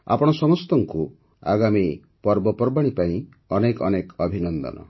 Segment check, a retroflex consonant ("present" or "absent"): present